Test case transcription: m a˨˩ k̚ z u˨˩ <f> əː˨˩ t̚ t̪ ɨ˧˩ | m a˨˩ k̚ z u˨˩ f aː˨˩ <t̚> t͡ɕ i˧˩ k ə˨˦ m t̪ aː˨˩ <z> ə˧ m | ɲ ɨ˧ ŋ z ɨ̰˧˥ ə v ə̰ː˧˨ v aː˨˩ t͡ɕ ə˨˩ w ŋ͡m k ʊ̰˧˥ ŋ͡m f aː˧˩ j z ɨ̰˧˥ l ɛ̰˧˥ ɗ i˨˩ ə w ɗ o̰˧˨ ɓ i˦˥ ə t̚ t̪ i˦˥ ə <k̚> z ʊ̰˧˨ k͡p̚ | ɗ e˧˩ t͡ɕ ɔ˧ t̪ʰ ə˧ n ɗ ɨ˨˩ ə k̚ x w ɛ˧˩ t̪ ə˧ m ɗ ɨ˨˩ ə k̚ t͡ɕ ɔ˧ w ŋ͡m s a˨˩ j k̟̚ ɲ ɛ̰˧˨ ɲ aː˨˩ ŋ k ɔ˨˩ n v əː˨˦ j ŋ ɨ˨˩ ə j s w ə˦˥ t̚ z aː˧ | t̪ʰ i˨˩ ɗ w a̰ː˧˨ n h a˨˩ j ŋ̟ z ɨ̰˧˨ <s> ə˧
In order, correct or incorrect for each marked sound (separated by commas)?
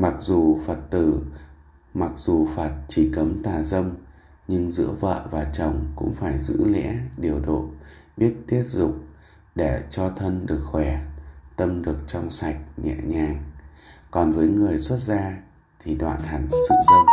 correct, correct, correct, incorrect, incorrect